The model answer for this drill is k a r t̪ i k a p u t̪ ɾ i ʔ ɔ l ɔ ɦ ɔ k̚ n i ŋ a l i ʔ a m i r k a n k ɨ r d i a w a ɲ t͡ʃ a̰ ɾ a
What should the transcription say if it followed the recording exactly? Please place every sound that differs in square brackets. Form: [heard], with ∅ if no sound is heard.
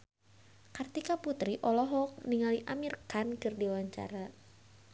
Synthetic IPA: k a r t̪ i k a p u t̪ ɾ i ʔ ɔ l ɔ ɦ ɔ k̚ n i ŋ a l i ʔ a m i r k a n k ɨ r d i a w a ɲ t͡ʃ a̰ ɾ a